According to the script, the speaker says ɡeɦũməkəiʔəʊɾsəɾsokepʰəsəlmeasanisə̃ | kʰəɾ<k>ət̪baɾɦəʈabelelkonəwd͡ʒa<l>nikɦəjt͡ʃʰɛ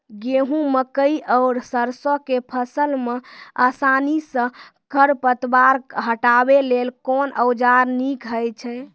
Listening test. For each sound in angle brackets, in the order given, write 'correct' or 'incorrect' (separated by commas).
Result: incorrect, incorrect